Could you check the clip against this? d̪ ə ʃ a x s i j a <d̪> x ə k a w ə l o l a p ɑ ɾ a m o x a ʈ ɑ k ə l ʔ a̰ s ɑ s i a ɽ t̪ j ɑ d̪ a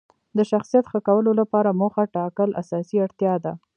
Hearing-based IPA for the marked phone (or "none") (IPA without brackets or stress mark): t̪